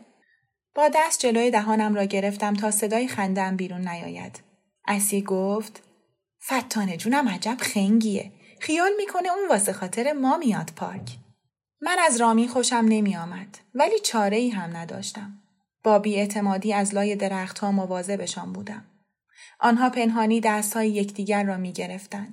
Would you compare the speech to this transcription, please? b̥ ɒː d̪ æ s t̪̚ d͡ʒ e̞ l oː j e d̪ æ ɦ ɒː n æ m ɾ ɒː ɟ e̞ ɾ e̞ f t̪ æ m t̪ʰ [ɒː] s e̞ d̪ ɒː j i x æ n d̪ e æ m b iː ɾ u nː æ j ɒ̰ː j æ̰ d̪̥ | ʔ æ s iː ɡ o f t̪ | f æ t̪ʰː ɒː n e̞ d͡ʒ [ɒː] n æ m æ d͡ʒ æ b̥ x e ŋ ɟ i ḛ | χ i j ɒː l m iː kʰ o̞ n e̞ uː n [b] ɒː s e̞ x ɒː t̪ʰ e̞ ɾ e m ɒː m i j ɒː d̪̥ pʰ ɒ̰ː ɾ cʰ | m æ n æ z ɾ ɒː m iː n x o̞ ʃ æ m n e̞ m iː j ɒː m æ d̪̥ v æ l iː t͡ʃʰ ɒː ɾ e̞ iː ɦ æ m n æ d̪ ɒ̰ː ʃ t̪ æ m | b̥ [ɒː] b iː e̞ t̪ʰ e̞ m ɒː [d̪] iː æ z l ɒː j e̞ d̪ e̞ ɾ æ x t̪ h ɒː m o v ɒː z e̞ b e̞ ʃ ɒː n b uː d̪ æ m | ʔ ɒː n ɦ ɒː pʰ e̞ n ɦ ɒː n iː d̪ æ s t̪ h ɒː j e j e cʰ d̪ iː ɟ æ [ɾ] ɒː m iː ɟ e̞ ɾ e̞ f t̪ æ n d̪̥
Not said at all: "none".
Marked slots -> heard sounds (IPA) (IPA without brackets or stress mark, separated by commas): ɒː, uː, v, ɒː, d̪, ɾː